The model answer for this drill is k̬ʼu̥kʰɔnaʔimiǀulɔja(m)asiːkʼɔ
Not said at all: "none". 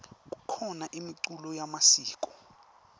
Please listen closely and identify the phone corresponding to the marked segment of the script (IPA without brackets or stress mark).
m